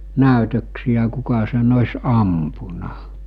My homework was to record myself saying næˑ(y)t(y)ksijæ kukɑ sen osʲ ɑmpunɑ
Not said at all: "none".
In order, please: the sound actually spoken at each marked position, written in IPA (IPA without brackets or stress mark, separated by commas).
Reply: y, ø